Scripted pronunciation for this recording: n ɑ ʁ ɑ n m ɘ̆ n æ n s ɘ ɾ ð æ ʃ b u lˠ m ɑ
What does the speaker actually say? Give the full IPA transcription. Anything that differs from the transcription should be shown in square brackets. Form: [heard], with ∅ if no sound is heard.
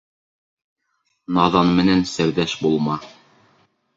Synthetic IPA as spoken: n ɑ [ð] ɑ n m ɘ̆ n æ n s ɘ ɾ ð æ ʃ b u lˠ m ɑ